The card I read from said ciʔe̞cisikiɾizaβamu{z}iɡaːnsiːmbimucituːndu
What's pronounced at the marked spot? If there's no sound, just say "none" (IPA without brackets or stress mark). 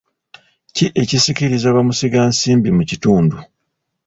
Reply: s